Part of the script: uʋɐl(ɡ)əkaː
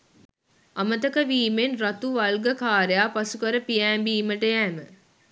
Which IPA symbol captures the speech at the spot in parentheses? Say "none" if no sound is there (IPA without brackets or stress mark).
ɡ